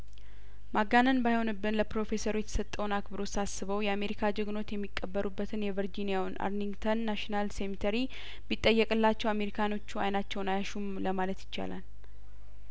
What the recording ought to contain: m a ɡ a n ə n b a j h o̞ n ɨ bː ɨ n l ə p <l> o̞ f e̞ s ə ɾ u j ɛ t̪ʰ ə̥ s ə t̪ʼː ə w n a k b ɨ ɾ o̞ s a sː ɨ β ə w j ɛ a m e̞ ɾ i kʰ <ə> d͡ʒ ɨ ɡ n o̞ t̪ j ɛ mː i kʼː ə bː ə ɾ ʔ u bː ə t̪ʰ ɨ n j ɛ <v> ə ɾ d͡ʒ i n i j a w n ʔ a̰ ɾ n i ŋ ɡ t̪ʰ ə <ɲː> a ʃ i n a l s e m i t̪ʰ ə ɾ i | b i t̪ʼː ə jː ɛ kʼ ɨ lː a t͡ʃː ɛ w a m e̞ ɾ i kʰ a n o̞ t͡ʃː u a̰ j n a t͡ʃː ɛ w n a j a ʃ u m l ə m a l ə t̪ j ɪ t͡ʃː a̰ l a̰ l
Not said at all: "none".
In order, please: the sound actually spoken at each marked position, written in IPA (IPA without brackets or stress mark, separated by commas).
ɾ, a, v, nː